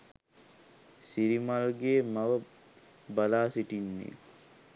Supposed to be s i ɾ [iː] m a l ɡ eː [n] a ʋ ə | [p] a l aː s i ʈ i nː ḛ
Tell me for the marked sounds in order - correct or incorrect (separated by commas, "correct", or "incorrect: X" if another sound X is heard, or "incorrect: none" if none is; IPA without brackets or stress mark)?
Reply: incorrect: i, incorrect: m, incorrect: b